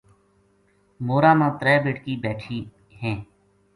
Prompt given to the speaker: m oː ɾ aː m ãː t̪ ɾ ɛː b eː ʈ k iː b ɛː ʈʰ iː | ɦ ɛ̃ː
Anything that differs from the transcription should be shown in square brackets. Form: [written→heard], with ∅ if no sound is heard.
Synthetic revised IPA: m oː ɾ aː m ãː t̪ ɾ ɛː b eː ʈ k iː b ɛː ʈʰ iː | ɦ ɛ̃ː